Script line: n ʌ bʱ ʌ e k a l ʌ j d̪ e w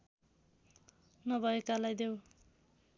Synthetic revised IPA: n ʌ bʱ ʌ e k a l a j d̪ e w